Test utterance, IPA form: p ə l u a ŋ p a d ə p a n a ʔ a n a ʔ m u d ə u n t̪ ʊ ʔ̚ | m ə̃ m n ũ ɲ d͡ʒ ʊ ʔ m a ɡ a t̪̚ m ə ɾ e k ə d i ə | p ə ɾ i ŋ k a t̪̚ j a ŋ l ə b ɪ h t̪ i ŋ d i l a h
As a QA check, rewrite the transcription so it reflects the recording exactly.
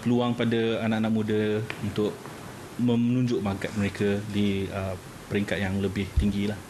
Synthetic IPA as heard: p ə l u a ŋ p a d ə a n a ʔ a n a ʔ m u d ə u n t̪ ʊ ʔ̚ | m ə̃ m n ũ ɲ d͡ʒ ʊ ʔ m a ɡ a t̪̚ m ə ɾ e k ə d i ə | p ə ɾ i ŋ k a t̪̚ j a ŋ l ə b ɪ h t̪ i ŋ ɡ i l a h